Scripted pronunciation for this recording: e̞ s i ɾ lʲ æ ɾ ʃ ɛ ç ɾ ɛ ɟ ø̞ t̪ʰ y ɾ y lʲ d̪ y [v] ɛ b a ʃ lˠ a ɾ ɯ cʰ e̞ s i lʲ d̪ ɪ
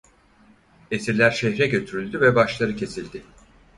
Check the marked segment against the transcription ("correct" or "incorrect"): correct